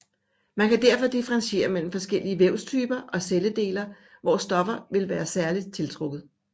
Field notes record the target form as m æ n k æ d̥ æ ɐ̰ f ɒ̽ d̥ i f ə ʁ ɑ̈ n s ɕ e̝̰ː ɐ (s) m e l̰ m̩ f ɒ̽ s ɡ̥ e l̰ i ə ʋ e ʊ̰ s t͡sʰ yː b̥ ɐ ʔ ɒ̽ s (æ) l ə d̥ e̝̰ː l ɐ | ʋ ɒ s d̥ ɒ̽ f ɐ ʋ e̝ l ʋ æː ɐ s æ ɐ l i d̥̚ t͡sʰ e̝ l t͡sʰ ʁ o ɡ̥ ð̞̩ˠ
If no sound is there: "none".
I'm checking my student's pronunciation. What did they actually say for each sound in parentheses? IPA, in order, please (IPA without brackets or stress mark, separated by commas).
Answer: none, e